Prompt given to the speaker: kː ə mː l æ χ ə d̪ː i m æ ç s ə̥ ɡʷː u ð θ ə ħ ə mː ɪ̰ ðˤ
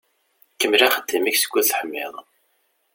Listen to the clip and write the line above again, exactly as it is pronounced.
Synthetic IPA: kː ə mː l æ χ ə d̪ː i m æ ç s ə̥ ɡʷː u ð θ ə ħ ə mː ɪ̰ ðˤ